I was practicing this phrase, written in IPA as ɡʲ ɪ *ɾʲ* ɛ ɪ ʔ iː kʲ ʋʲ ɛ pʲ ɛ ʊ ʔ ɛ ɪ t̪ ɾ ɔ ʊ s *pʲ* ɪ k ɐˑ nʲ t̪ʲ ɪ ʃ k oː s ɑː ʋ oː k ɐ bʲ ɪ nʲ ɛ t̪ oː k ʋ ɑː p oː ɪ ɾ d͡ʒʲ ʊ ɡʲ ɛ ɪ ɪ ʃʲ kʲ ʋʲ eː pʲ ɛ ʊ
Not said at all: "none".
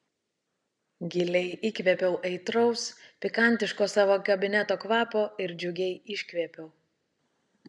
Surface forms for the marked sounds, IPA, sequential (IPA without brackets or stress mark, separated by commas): lʲ, pʲ